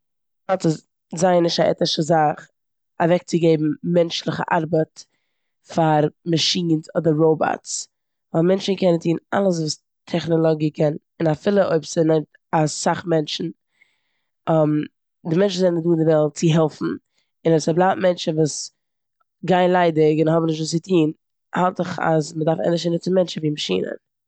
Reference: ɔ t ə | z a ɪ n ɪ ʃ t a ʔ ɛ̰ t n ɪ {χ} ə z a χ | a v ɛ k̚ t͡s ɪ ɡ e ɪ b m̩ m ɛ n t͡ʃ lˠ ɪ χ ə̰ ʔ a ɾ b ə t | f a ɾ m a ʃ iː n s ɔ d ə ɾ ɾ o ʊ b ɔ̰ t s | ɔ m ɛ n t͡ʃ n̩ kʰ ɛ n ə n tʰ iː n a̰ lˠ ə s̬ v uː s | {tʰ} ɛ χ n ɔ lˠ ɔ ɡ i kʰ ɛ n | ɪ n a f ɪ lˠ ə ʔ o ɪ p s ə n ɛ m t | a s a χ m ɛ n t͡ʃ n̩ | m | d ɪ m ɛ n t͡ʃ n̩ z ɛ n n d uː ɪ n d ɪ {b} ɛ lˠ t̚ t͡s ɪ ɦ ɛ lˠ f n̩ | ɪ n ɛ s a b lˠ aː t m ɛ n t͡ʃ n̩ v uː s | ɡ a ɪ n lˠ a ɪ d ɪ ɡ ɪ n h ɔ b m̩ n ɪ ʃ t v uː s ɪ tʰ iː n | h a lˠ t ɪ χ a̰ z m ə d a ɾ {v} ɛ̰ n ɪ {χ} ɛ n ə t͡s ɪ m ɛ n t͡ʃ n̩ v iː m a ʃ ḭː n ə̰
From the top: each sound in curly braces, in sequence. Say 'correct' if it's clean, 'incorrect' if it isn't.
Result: incorrect: ʃ, correct, incorrect: v, incorrect: f, incorrect: ʃ

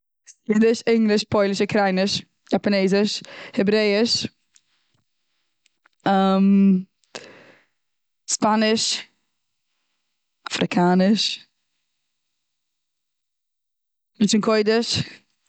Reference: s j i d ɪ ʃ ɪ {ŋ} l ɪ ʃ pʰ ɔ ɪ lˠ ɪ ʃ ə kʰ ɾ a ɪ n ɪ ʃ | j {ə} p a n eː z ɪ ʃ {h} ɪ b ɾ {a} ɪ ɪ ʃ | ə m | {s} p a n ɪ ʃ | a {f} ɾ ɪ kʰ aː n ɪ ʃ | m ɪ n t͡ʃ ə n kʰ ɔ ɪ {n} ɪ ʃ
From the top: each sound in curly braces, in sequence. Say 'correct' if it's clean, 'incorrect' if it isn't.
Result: correct, incorrect: a, correct, incorrect: e, correct, correct, incorrect: d

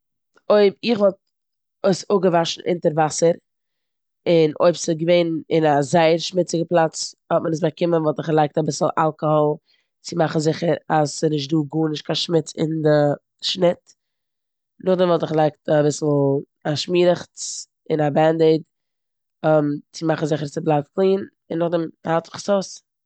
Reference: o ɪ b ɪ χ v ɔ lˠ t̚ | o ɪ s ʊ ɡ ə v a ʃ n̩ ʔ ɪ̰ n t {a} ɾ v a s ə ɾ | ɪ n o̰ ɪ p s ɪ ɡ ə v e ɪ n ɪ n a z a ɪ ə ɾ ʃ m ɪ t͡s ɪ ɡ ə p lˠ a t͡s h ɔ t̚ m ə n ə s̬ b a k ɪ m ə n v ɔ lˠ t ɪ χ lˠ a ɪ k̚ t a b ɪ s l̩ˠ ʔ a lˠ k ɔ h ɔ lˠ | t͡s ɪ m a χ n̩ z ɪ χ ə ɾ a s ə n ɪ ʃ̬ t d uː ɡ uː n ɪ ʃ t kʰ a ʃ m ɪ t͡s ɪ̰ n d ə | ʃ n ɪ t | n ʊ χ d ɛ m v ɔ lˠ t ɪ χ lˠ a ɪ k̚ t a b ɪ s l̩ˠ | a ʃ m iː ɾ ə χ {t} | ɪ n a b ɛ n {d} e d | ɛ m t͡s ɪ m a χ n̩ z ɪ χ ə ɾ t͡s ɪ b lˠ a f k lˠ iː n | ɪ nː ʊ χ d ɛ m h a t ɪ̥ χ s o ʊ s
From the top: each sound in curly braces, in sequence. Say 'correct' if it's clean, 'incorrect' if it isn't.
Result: incorrect: ə, incorrect: t͡s, correct

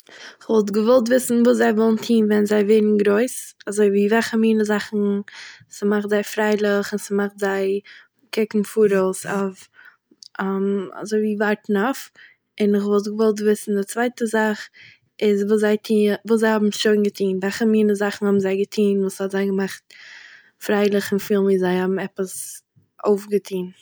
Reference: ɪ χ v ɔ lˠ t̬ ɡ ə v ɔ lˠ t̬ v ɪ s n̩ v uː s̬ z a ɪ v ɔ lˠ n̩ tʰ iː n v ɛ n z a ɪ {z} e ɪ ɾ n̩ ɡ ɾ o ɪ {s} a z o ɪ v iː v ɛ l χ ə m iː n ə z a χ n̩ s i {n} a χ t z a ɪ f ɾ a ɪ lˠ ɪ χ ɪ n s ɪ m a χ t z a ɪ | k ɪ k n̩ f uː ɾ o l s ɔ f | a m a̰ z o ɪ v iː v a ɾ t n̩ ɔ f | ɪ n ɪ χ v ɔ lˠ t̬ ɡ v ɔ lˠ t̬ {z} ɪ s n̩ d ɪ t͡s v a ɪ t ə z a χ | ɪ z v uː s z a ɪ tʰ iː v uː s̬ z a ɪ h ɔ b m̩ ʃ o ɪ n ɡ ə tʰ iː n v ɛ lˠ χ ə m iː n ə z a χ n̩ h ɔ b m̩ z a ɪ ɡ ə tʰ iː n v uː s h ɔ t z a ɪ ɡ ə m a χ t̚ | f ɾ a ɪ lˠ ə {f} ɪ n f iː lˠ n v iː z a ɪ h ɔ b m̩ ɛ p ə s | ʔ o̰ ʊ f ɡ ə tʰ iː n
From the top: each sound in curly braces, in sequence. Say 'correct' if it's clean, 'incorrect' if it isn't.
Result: incorrect: v, correct, incorrect: m, incorrect: v, incorrect: χ

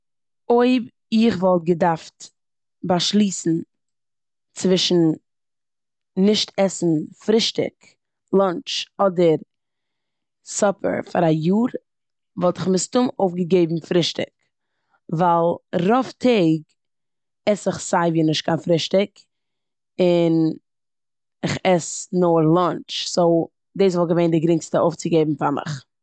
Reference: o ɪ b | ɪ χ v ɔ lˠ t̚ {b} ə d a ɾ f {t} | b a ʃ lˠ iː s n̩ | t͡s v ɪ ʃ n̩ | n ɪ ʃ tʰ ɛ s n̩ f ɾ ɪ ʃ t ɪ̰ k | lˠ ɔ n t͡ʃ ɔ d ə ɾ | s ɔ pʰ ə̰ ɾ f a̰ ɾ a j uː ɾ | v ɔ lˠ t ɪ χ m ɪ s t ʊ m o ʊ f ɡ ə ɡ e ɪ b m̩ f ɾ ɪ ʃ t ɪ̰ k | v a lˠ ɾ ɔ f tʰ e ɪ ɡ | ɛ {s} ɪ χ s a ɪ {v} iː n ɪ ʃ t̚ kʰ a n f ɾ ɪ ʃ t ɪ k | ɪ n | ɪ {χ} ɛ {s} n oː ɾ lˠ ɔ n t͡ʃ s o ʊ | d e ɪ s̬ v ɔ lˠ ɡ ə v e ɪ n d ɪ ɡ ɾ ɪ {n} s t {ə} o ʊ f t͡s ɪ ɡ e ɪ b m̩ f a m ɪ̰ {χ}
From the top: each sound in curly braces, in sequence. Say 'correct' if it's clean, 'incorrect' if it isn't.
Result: incorrect: ɡ, correct, correct, correct, correct, correct, incorrect: ŋ, correct, correct

